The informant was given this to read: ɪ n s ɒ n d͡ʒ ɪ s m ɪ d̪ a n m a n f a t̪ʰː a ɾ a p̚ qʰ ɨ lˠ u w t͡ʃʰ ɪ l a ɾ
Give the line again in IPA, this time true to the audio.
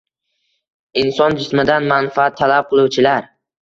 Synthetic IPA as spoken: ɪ n s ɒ n d͡ʒ ɪ s m ɪ d̪ a n m a n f a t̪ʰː a l a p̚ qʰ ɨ lˠ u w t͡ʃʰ ɪ l a ɾ